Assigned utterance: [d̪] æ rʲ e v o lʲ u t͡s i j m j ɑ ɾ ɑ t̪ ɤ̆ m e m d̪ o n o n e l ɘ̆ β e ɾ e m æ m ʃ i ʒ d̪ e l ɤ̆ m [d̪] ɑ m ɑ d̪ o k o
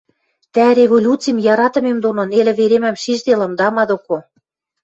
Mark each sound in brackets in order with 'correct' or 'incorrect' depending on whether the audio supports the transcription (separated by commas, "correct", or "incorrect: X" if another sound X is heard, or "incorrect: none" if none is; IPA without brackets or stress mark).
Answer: incorrect: t̪, correct